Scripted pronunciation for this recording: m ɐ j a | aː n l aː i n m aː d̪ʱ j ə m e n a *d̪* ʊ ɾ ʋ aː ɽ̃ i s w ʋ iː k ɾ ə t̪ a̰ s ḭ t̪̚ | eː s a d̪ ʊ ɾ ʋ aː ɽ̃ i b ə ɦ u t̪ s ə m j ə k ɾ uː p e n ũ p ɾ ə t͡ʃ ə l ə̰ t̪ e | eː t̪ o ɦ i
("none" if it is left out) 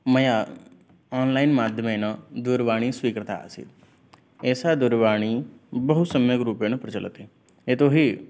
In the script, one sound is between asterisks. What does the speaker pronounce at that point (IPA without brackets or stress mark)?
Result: d̪